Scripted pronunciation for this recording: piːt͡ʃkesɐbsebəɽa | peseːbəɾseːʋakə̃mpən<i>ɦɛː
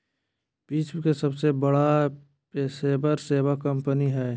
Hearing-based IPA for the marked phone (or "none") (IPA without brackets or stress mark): i